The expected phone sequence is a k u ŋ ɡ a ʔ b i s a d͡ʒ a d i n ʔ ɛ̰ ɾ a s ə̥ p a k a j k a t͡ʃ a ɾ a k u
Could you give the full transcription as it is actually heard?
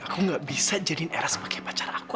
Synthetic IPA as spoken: a k u ŋ ɡ a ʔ b i s a d͡ʒ a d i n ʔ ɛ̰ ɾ a s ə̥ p a k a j p a t͡ʃ a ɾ a k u